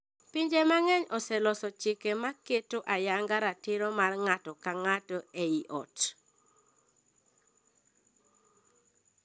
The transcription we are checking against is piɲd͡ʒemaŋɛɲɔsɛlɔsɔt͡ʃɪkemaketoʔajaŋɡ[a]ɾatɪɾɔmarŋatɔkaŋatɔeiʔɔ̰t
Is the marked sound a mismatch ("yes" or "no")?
no